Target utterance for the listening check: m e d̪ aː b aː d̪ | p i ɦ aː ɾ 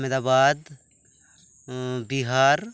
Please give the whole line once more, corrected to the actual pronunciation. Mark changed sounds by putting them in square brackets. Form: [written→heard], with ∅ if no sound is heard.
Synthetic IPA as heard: m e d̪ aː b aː d̪ | [p→b] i ɦ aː ɾ